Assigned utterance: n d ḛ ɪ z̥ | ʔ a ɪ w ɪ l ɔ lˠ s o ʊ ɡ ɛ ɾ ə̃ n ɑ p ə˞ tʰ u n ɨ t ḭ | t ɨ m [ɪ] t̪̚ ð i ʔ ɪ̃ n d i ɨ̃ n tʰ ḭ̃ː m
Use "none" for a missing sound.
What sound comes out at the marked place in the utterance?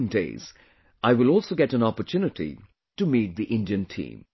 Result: i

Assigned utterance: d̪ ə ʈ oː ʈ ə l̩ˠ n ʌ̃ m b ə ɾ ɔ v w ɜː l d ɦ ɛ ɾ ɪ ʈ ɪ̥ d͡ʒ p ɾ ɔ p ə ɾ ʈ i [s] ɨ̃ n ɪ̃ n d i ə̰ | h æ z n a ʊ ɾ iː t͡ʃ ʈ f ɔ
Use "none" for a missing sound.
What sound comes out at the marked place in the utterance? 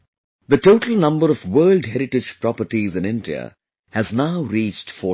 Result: z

